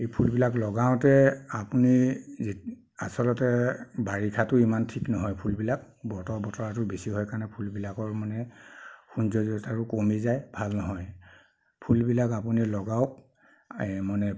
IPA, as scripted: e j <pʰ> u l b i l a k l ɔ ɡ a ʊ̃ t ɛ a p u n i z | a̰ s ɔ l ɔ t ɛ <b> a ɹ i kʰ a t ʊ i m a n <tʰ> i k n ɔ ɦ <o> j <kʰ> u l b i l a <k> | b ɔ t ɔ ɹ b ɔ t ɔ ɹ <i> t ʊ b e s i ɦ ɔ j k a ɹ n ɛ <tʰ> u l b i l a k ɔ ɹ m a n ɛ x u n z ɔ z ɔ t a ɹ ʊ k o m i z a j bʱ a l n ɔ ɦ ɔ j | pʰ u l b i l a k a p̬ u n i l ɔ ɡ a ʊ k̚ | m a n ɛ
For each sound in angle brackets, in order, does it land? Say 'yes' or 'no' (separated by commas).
yes, yes, yes, no, no, yes, no, no